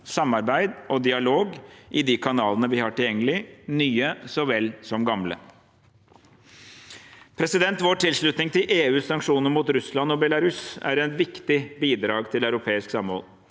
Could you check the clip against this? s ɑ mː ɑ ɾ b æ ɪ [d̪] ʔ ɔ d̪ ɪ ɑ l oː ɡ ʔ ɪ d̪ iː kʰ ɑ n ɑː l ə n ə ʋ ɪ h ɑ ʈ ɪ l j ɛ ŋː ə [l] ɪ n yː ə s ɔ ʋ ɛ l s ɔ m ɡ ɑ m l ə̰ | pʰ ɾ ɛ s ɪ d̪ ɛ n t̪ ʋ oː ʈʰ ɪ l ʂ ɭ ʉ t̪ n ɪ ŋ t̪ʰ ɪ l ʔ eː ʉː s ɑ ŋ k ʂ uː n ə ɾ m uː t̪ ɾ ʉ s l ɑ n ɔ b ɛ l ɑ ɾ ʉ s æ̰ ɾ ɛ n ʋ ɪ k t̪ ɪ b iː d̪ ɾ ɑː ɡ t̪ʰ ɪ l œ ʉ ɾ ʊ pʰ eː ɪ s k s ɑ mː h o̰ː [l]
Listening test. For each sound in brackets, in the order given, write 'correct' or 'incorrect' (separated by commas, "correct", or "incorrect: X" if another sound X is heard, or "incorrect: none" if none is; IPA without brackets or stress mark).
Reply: correct, correct, correct